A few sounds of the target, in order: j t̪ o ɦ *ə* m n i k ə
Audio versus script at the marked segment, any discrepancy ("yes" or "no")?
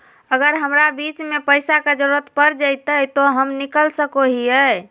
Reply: no